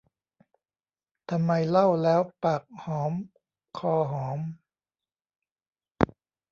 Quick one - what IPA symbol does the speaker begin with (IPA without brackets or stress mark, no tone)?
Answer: t̪ʰ